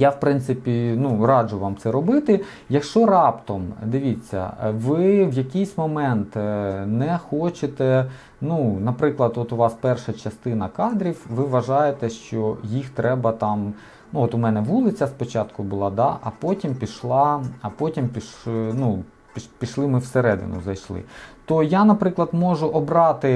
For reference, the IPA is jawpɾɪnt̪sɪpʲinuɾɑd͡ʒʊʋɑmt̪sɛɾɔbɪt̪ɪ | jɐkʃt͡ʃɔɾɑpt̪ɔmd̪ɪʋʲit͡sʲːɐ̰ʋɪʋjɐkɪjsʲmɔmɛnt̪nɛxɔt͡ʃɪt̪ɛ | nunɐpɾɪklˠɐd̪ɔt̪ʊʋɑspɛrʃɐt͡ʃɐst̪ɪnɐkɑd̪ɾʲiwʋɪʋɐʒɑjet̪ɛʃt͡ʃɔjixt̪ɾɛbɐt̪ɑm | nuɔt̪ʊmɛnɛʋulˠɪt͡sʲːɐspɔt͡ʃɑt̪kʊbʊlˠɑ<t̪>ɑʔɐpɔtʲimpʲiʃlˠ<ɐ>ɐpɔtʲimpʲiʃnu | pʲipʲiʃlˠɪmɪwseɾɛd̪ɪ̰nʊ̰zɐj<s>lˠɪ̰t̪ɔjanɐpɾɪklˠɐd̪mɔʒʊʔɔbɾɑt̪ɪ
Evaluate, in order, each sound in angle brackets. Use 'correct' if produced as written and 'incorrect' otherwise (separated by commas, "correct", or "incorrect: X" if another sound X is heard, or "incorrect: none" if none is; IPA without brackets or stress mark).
incorrect: d̪, incorrect: ɑ, incorrect: ʃ